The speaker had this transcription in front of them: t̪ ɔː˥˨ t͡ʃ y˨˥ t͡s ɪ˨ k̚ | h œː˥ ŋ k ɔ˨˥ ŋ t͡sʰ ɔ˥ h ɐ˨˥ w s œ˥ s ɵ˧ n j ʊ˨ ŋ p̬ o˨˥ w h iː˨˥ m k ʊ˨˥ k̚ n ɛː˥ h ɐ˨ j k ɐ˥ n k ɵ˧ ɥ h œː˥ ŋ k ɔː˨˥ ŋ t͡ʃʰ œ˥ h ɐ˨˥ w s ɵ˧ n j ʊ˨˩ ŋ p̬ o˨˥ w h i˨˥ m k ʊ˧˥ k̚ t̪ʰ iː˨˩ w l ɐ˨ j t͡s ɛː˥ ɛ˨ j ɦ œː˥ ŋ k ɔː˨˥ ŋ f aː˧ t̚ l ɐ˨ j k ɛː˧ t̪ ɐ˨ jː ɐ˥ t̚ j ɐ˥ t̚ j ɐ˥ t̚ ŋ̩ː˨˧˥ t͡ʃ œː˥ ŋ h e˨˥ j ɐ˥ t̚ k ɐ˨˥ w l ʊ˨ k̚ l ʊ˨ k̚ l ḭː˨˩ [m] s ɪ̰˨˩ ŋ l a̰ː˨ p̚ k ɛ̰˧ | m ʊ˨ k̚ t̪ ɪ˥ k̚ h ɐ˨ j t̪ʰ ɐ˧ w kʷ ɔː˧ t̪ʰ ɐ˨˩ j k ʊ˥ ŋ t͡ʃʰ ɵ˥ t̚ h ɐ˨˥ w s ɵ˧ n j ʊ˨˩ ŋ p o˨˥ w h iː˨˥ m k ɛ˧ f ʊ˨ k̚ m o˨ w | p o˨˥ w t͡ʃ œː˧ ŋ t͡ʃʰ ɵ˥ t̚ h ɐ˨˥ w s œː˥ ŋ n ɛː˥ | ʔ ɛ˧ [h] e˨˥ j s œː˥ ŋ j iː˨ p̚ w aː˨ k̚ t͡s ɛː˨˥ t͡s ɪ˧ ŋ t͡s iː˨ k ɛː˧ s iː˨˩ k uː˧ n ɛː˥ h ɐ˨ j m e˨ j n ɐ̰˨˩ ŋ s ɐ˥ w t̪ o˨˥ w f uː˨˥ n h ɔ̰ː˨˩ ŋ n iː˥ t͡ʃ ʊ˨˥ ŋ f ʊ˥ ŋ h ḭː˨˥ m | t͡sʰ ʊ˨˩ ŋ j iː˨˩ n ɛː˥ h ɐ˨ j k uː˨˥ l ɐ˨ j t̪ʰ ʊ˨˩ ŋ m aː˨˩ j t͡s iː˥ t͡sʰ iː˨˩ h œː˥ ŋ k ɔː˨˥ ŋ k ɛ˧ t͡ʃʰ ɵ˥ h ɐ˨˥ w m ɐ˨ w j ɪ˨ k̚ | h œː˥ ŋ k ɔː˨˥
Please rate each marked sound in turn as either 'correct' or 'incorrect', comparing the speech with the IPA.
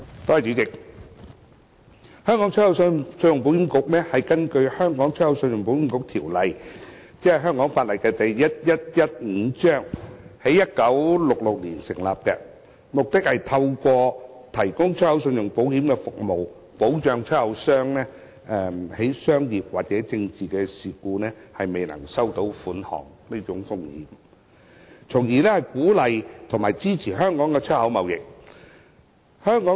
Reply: incorrect, correct

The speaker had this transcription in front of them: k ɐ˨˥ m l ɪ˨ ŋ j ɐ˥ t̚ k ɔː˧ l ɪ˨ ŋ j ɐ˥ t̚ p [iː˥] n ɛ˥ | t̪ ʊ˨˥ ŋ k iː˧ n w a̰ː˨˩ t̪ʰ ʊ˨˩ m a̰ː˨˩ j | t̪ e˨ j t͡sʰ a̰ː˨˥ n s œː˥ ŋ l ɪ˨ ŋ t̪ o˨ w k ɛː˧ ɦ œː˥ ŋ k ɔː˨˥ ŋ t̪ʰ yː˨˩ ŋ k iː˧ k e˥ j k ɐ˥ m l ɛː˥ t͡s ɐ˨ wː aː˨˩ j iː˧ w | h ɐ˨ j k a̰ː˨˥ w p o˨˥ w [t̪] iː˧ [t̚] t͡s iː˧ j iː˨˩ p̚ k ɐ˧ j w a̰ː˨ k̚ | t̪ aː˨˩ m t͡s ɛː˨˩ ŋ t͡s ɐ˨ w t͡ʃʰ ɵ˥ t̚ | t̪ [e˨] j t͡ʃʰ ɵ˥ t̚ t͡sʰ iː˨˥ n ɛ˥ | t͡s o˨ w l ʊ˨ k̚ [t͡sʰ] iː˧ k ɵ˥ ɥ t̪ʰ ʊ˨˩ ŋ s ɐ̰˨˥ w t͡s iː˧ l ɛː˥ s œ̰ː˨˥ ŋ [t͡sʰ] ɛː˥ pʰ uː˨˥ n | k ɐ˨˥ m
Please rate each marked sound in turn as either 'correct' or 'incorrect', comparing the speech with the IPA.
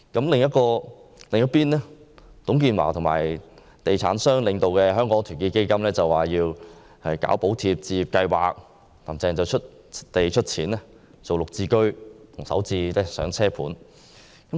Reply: correct, incorrect, incorrect, correct, incorrect, correct

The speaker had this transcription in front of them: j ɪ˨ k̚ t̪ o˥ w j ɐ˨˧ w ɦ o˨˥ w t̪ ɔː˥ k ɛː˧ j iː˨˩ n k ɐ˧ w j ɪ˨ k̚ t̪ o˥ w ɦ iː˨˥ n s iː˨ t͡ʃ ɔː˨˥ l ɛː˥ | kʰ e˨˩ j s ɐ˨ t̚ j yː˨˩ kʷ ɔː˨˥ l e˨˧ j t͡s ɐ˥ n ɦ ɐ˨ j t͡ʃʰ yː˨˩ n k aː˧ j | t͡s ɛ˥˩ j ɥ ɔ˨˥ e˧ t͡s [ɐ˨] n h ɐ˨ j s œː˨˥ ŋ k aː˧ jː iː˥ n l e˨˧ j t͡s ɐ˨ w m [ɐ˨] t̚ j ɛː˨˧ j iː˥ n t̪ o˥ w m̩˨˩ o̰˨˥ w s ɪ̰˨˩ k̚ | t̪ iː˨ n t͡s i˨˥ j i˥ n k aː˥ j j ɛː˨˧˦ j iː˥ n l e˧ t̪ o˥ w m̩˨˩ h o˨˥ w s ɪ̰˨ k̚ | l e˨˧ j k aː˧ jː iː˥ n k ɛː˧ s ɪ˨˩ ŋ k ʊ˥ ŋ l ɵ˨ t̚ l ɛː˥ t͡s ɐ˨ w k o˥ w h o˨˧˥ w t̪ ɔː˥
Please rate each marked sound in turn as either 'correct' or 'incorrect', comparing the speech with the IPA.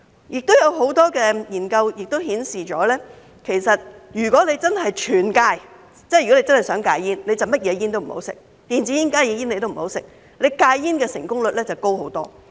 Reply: incorrect, incorrect

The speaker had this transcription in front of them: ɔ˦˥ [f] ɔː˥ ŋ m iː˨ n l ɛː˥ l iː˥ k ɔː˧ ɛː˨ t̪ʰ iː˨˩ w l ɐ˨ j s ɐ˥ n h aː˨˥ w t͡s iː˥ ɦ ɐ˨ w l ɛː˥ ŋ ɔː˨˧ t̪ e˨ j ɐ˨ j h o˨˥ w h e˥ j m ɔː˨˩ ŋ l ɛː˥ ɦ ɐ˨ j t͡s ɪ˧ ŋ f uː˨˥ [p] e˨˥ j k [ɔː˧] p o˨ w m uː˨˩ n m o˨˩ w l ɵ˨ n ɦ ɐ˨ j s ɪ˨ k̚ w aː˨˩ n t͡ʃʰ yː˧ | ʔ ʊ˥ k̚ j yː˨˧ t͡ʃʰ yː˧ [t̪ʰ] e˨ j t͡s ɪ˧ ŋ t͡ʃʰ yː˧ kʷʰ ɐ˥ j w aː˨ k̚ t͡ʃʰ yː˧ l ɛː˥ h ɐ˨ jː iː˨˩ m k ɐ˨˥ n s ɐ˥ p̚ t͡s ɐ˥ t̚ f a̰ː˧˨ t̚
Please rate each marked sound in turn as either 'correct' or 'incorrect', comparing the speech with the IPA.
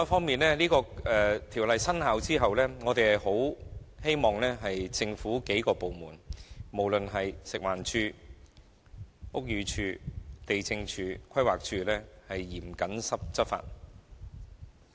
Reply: correct, incorrect, correct, incorrect

